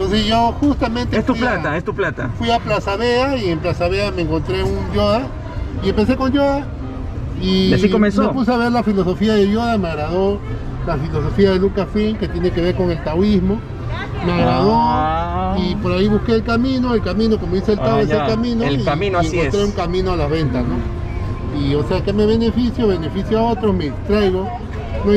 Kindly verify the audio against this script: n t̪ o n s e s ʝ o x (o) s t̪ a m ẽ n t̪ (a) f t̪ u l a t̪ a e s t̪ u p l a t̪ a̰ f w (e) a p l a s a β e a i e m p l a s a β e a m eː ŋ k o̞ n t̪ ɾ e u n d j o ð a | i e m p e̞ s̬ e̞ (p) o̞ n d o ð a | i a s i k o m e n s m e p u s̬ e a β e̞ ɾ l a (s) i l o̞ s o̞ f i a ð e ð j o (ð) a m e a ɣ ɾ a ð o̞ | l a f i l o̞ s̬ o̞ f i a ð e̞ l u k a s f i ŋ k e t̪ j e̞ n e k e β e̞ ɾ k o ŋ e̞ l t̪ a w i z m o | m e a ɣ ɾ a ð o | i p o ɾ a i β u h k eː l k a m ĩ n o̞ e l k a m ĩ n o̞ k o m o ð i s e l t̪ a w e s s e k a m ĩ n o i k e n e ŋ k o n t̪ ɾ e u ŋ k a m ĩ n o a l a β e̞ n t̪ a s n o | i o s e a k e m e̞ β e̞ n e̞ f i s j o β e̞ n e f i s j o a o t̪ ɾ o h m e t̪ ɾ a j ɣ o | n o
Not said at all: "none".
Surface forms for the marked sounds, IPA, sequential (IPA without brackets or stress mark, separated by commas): u, e, i, k, f, ð